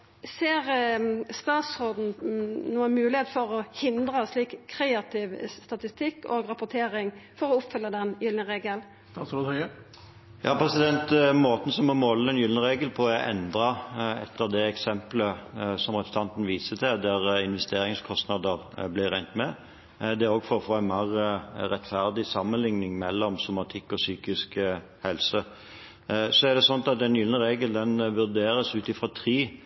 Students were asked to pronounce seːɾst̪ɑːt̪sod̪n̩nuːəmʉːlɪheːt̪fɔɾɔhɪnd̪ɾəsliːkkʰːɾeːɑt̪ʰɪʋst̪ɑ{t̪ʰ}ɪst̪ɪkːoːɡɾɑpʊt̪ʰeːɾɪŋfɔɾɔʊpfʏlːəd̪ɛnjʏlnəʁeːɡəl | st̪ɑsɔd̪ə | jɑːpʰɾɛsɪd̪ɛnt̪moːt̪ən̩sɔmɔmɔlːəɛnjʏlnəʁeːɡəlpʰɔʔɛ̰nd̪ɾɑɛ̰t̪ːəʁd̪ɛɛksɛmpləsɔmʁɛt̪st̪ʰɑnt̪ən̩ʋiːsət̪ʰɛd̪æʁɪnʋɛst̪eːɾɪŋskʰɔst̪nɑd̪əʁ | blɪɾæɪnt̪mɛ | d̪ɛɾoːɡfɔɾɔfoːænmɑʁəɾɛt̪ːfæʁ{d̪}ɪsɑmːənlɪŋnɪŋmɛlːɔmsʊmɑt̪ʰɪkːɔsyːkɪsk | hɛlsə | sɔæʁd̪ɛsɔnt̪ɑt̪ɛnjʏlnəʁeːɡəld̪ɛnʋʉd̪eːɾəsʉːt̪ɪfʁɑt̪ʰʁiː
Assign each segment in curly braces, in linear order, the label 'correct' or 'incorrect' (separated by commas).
incorrect, correct